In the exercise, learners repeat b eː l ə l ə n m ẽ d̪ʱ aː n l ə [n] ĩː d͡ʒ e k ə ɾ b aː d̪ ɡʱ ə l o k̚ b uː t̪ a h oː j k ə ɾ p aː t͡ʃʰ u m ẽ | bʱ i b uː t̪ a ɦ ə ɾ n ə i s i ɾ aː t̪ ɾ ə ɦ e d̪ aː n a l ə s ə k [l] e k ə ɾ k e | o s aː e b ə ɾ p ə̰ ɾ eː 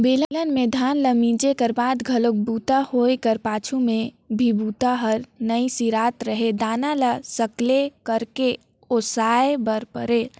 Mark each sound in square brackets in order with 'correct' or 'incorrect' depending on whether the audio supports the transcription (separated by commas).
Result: incorrect, correct